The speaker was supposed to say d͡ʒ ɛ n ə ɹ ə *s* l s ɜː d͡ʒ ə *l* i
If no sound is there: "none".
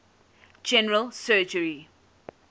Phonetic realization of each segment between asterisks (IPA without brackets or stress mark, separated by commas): none, ɹ